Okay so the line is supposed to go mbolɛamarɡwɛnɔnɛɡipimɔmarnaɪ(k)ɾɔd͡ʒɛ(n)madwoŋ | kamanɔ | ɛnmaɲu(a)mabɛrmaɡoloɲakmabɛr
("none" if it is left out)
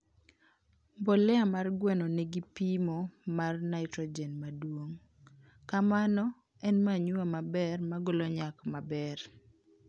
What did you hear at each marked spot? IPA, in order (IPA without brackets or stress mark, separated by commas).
t, n, a